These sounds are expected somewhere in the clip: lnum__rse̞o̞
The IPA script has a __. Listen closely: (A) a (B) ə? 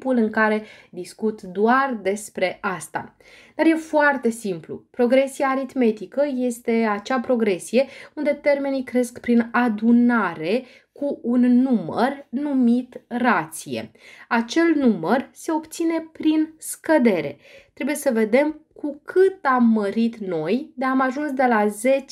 B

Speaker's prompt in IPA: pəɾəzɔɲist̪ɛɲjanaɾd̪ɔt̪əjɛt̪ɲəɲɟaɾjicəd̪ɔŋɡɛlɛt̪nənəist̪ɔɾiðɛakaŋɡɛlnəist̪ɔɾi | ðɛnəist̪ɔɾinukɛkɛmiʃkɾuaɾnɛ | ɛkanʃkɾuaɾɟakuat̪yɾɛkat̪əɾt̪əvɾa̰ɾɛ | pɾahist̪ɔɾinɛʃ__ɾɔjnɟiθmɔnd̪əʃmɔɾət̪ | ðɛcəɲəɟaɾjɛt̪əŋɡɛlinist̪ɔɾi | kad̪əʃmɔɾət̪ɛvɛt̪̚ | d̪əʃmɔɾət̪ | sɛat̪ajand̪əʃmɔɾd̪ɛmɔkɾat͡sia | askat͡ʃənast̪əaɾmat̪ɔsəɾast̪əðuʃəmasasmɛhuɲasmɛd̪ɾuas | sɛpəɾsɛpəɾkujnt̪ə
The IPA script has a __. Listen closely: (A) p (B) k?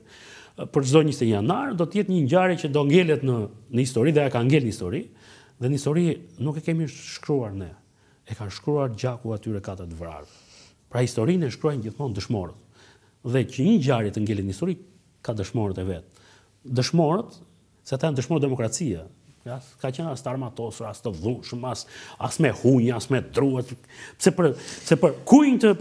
B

